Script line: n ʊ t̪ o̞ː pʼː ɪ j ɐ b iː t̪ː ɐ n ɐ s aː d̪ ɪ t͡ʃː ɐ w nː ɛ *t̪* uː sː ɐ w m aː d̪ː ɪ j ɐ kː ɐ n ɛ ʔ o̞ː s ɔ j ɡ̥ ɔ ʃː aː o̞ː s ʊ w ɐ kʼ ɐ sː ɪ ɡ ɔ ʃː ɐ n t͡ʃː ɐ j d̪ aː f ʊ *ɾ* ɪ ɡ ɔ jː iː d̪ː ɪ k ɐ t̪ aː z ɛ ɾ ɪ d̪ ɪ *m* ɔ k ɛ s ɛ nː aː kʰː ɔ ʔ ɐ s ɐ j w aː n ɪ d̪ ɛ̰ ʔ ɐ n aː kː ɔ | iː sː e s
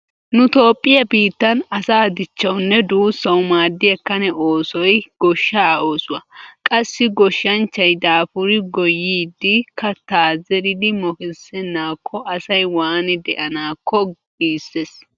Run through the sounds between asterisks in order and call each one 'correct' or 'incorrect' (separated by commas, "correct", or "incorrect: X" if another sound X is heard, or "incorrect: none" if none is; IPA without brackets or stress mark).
incorrect: d̪, correct, correct